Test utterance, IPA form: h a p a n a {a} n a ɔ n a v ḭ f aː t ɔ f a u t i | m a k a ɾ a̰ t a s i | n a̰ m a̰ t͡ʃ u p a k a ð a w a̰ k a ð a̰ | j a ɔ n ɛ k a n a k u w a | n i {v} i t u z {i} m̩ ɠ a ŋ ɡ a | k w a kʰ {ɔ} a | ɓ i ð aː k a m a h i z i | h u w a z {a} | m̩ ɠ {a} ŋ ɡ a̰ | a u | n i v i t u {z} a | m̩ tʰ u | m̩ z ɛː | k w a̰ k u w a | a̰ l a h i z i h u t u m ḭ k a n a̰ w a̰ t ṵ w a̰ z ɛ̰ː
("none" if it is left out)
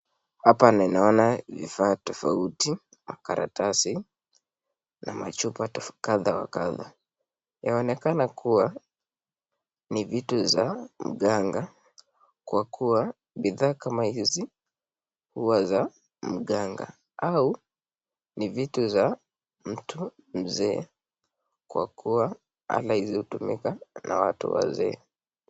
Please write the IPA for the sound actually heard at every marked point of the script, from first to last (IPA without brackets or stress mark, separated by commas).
i, v, a, u, a, a, z